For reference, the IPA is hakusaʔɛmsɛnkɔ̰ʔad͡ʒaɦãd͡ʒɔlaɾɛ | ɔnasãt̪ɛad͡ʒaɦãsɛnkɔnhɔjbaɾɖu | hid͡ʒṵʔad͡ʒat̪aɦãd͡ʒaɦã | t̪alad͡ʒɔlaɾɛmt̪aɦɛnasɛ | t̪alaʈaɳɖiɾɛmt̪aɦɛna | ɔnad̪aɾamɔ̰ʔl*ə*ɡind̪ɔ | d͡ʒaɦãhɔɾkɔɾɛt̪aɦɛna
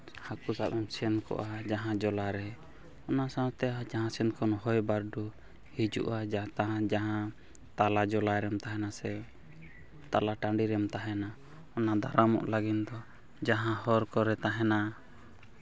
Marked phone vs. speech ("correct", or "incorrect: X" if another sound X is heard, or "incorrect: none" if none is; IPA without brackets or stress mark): incorrect: a